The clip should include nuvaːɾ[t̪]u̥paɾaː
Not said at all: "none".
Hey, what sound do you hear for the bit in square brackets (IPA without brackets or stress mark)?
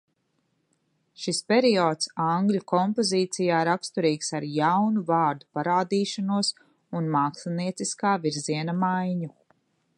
d̪